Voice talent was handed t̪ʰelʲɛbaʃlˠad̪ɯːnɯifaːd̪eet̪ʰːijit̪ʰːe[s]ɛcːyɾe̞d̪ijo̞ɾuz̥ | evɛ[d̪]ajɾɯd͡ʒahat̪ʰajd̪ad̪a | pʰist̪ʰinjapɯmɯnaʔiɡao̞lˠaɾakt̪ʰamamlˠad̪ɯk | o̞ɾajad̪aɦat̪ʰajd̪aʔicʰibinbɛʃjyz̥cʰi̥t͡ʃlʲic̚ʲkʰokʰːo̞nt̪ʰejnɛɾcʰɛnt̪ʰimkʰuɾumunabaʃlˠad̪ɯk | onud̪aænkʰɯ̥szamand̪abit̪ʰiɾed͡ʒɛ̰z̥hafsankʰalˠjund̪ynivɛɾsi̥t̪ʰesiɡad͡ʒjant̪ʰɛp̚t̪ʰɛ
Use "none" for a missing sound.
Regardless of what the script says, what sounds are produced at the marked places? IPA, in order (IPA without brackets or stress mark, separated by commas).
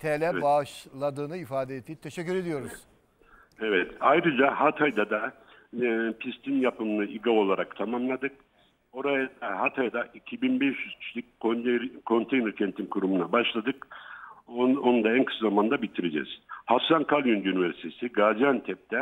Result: ʃ, t̪